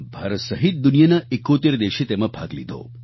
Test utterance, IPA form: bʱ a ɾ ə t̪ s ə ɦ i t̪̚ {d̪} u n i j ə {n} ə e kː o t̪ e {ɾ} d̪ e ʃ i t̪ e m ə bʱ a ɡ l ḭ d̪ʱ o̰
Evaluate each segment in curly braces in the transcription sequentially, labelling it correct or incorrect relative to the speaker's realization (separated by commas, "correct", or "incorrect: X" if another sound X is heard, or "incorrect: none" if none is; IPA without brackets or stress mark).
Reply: correct, correct, correct